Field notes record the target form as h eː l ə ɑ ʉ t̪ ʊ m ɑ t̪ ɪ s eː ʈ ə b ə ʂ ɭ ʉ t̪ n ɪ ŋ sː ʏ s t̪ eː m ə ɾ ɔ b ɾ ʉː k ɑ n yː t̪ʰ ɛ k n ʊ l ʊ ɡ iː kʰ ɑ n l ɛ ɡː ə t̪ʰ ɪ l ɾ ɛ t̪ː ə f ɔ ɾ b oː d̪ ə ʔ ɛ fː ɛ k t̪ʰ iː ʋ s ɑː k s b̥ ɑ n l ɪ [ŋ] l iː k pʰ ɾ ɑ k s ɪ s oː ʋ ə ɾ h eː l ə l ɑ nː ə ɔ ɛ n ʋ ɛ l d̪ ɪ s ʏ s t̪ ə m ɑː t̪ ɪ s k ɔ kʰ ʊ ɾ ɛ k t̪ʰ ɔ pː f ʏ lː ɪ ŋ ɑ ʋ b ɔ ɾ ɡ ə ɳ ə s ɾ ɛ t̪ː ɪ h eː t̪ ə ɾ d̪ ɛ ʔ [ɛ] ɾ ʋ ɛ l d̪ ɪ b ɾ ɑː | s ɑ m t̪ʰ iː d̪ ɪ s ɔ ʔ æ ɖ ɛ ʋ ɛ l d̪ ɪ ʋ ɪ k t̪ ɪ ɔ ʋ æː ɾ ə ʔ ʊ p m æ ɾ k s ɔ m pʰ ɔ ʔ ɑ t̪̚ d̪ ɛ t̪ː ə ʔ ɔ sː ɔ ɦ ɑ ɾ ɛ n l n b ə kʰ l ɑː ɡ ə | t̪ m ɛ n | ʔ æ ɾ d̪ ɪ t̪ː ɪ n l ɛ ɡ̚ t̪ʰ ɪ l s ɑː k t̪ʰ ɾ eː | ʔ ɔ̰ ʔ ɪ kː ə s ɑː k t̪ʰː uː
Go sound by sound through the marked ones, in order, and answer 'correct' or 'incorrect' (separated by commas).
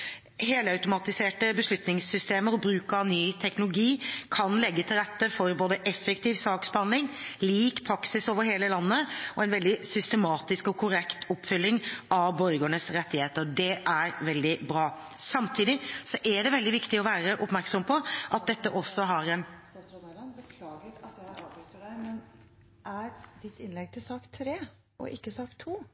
correct, incorrect